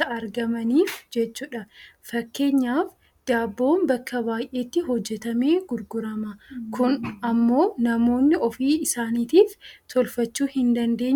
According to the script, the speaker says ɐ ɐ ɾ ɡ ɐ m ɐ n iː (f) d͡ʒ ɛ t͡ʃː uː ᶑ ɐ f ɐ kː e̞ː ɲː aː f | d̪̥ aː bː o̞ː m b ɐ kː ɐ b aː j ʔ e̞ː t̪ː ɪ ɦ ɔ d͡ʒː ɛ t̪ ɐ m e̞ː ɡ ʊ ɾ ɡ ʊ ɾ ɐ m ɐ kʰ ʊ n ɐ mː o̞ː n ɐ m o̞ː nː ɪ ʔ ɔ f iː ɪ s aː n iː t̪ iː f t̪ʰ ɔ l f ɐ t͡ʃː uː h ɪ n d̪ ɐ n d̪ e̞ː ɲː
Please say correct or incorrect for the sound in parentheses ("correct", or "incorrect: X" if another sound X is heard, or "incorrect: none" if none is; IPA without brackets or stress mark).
correct